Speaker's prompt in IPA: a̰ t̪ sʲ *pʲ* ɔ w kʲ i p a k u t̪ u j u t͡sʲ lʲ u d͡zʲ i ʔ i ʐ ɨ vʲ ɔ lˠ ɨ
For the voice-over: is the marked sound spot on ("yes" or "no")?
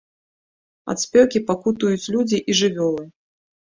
yes